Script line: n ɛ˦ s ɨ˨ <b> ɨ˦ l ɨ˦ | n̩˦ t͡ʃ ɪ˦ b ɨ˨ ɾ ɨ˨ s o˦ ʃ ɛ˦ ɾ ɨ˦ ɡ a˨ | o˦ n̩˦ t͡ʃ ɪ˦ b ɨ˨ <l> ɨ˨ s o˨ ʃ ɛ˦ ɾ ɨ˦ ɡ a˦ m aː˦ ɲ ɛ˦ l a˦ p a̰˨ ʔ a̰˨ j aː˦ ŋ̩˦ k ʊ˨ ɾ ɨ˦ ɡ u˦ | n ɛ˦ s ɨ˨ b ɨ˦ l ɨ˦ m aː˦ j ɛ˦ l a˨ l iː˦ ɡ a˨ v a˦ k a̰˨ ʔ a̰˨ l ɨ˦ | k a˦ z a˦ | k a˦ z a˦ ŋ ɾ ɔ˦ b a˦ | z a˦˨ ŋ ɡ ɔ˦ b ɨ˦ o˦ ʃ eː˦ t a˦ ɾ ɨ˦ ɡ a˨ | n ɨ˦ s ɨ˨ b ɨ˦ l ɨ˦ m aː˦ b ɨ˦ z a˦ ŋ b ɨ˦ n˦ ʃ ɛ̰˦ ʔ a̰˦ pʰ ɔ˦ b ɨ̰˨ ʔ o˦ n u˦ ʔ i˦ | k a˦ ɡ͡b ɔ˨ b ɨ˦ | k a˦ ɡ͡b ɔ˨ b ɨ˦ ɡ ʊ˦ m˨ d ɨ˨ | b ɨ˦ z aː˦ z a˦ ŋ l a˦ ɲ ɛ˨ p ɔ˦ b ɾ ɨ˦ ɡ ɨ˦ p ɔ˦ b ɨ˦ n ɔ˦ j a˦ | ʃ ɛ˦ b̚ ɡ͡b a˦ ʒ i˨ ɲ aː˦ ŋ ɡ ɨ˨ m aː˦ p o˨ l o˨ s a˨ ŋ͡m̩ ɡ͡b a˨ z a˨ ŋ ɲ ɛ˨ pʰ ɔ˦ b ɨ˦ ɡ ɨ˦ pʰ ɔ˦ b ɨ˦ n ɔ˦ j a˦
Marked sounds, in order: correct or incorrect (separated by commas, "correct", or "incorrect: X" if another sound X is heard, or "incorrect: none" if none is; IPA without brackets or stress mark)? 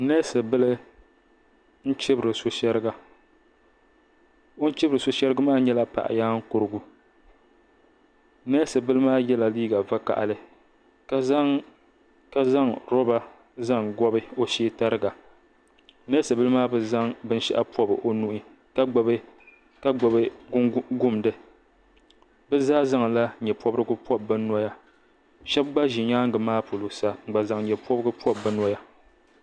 correct, incorrect: ɾ